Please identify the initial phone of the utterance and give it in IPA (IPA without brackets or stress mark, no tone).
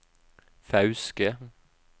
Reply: f